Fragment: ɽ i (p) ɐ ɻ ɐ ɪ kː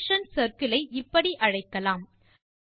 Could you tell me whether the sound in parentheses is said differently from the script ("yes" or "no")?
yes